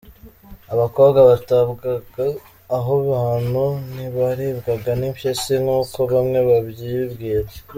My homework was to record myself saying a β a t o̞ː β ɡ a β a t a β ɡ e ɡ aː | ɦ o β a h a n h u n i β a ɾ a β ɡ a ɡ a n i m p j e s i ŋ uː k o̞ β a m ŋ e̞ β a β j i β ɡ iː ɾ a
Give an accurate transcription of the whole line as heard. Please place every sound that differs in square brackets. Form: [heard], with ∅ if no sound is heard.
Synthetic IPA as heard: a β a [k] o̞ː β ɡ a β a t a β ɡ [a] ɡ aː | ɦ o β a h a n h u n i β a ɾ [i] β ɡ a ɡ a n i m p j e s i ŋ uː k o̞ β a m ŋ e̞ β a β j i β ɡ iː ɾ a